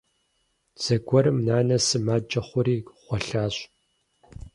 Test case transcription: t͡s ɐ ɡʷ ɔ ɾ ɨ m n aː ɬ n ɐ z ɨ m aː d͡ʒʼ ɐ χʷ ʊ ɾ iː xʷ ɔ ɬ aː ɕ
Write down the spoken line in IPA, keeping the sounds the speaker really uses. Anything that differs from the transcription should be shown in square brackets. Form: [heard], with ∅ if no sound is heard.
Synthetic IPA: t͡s ɐ ɡʷ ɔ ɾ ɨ m n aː [∅] n ɐ [s] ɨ m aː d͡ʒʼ ɐ χʷ ʊ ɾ iː [χʷ] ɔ ɬ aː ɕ